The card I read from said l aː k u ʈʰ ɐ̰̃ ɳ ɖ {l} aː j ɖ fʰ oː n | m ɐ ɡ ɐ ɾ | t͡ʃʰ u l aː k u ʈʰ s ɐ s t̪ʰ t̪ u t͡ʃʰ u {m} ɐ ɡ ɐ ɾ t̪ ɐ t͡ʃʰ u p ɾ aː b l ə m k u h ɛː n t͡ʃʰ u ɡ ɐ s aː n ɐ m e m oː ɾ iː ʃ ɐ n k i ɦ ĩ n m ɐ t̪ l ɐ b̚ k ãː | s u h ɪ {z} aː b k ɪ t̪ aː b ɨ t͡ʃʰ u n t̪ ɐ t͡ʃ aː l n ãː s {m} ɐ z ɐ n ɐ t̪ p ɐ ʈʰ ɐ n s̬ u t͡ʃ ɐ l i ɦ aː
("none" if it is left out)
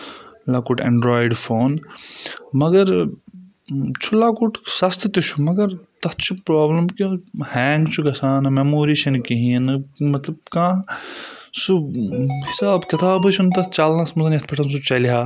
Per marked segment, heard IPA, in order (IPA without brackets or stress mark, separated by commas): ɾ, m, s, m